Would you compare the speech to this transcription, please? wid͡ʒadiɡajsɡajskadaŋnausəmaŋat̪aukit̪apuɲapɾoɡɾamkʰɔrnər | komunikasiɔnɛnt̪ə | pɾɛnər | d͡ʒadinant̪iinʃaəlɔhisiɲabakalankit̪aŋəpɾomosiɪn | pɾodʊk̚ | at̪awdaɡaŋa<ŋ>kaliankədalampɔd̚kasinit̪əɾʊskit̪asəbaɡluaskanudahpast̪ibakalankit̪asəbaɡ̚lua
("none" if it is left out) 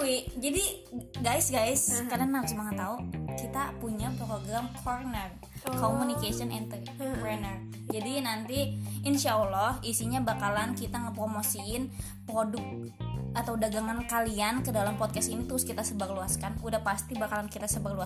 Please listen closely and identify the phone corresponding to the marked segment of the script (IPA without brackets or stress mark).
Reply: n